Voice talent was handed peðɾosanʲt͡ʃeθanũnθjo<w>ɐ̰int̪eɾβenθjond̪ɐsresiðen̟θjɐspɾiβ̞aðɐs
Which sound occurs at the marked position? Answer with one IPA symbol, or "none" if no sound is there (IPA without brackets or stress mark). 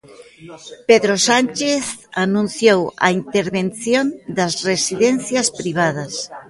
w